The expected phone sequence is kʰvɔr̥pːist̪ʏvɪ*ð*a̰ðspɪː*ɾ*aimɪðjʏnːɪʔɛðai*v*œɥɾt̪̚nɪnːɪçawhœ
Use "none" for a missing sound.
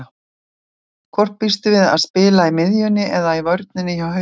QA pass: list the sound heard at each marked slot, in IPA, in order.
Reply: ð, l, v

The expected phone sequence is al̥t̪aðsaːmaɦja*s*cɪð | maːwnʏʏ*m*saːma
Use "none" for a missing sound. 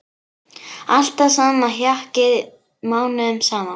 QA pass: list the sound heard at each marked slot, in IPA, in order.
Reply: h, m

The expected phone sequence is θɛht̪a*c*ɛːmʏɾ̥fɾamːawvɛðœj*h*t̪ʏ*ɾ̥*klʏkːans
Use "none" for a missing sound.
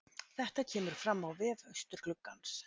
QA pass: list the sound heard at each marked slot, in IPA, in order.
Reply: cʰ, s, ɾ̥

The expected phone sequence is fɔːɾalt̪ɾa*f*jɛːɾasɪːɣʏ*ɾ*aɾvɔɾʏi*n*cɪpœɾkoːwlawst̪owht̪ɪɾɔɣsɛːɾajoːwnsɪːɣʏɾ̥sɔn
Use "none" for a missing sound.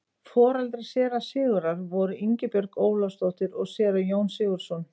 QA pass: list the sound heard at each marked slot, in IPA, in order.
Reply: s, ɾ, ɲ

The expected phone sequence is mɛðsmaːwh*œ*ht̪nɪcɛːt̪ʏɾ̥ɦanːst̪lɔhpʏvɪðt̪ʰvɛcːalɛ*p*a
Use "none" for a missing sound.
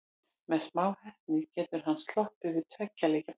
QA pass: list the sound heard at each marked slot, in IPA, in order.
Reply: ɛ, c

